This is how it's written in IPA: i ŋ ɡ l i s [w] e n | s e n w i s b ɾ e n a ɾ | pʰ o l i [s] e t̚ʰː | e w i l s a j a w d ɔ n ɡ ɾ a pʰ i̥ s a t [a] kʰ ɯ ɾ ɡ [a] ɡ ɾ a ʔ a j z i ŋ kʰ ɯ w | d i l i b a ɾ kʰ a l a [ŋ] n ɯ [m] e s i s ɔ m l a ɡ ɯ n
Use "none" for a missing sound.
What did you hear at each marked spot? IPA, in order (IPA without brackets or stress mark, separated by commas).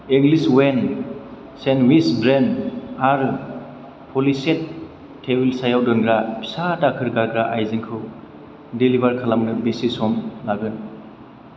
w, s, a, a, m, b